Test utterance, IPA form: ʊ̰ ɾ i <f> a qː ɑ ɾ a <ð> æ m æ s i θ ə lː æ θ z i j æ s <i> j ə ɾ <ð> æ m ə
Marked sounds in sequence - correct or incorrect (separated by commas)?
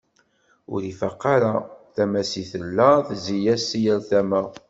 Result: correct, incorrect, correct, incorrect